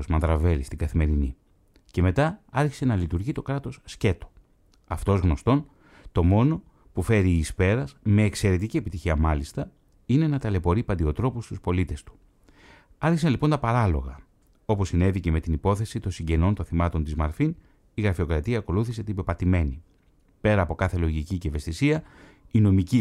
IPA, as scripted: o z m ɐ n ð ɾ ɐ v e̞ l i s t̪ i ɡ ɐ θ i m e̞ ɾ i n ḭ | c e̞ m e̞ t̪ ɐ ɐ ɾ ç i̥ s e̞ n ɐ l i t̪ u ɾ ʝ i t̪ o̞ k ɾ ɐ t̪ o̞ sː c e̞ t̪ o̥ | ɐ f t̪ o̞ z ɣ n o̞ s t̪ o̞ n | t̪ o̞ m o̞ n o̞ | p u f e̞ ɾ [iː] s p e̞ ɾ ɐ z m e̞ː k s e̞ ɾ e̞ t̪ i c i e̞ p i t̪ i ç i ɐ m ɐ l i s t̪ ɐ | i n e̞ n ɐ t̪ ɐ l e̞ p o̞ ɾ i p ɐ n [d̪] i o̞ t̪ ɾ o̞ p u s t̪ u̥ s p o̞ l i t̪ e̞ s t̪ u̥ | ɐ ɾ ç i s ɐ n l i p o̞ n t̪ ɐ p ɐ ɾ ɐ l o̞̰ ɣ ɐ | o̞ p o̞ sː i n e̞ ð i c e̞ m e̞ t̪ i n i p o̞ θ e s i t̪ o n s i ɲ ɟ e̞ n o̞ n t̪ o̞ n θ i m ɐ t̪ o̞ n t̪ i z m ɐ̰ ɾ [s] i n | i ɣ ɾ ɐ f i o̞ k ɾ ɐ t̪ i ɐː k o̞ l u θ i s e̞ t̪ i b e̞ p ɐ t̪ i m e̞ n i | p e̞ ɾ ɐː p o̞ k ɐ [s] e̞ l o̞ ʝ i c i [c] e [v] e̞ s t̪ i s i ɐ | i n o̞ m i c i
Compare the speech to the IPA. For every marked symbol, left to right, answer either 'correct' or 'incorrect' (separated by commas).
correct, correct, incorrect, incorrect, correct, correct